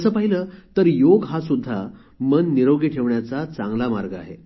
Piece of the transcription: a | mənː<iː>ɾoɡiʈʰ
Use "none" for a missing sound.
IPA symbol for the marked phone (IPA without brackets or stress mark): i